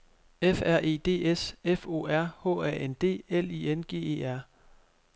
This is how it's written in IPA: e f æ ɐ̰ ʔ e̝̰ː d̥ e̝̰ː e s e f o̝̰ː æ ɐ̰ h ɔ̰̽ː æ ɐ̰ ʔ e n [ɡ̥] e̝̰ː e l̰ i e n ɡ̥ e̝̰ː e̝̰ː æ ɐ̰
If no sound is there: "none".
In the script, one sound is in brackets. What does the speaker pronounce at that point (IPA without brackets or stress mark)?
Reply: d̥